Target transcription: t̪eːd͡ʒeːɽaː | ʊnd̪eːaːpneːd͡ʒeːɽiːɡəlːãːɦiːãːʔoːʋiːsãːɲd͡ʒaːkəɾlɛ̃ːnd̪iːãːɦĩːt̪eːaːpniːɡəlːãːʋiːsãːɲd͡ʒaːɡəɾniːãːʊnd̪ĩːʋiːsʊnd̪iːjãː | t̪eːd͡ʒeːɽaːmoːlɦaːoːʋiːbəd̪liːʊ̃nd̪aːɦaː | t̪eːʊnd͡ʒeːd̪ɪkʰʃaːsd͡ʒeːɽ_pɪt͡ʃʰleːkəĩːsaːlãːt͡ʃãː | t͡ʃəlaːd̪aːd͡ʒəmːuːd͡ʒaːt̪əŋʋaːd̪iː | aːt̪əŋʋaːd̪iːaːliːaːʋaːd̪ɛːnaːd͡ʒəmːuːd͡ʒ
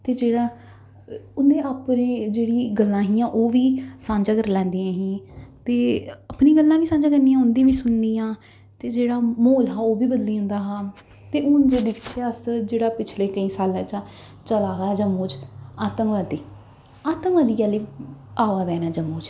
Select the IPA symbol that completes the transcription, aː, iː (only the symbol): aː